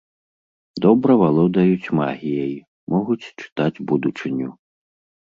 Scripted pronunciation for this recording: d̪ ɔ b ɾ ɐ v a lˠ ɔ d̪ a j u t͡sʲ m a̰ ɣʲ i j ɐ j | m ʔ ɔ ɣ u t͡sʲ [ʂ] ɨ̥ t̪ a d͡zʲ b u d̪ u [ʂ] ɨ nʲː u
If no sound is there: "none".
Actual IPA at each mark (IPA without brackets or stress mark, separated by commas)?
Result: t͡ʂ, t͡ʂ